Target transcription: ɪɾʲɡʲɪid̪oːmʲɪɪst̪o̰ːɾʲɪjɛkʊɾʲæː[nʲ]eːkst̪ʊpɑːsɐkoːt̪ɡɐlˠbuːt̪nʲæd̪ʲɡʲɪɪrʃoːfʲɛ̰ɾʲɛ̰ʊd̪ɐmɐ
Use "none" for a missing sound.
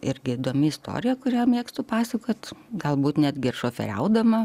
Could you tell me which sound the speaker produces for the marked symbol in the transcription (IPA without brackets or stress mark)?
mʲ